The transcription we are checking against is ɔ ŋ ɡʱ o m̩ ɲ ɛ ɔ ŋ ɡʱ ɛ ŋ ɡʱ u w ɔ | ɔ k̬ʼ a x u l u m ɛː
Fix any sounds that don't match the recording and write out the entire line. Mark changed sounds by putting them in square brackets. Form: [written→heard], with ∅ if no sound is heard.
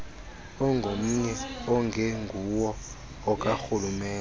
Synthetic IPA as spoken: ɔ ŋ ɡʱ o m̩ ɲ ɛ ɔ ŋ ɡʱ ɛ ŋ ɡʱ u w ɔ | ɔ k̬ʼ a x u l u m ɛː